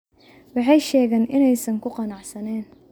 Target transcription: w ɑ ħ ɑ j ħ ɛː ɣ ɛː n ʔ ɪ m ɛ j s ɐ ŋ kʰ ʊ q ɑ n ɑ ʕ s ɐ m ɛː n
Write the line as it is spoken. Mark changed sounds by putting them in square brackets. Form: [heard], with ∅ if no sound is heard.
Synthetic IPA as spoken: w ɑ ħ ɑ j [ʃ] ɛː ɣ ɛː n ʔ ɪ [n] ɛ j s ɐ ŋ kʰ ʊ q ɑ n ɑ ʕ s ɐ [n] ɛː n